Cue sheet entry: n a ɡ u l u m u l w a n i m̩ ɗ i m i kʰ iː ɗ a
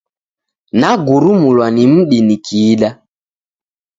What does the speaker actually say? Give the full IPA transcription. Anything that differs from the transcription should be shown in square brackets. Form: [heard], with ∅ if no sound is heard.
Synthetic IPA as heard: n a ɡ u [ɾ] u m u l w a n i m̩ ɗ i [n] i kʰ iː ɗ a